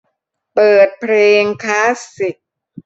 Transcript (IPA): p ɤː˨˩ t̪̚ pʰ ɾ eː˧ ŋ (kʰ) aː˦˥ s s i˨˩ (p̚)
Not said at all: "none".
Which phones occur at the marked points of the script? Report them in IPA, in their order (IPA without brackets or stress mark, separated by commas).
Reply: kʰ, k̚